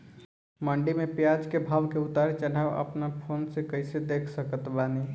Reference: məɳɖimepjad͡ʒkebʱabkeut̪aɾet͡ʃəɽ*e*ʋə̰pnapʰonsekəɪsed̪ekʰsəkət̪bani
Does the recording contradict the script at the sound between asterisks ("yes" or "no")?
yes